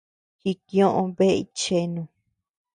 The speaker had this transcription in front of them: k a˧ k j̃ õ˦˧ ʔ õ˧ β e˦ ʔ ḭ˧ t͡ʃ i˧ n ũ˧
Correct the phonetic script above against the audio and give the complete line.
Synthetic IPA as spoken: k i˧ k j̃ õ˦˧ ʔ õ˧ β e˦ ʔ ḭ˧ t͡ʃ e˧ n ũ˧